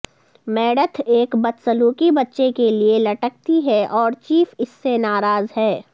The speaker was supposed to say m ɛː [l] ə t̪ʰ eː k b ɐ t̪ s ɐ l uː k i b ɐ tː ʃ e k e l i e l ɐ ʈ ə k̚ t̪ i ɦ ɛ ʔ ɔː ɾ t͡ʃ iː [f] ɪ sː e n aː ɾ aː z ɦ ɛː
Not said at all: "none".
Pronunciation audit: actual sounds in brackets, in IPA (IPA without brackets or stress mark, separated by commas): ɽ, f